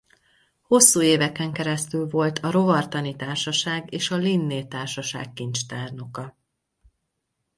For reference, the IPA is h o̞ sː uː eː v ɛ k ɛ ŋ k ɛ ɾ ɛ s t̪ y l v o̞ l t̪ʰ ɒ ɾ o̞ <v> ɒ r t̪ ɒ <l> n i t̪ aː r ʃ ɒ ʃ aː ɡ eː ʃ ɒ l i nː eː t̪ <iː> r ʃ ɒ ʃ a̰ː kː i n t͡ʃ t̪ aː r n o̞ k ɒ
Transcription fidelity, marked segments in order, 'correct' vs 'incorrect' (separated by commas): correct, incorrect, incorrect